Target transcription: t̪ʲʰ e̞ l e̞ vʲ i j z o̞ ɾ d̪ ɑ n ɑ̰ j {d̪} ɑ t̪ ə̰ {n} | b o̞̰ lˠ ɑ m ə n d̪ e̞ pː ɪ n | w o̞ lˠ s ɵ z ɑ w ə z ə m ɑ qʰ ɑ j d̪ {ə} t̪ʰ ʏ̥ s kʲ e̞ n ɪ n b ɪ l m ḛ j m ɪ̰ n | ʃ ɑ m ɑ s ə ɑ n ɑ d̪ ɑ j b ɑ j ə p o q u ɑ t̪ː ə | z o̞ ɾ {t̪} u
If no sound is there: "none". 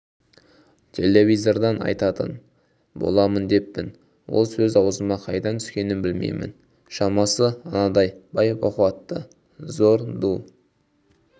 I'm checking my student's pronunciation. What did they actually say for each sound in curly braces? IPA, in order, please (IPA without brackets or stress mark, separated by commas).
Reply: t̪, n, ɑ, d̪